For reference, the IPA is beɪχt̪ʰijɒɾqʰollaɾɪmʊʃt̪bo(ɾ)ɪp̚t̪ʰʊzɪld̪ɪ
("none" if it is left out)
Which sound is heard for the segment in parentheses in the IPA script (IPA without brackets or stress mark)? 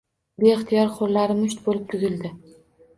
l